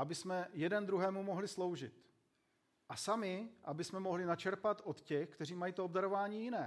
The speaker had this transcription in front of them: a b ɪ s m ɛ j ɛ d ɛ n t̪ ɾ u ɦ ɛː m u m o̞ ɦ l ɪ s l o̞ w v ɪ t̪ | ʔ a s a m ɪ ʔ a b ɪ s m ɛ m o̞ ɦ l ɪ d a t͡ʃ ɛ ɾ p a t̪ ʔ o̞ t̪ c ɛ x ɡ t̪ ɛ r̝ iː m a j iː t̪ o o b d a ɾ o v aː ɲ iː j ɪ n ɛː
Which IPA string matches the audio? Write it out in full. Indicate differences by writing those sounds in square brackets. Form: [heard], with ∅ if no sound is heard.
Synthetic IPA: a b ɪ s m ɛ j ɛ d ɛ n [d̪] ɾ u ɦ ɛː m u m o̞ ɦ l ɪ s l o̞ w [ʒ] ɪ t̪ | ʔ a s a m ɪ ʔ a b ɪ s m ɛ m o̞ ɦ l ɪ [n] a t͡ʃ ɛ ɾ p a t̪ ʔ o̞ t̪ c ɛ x [k] t̪ ɛ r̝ iː m a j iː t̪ o o b d a ɾ o v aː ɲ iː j ɪ n ɛː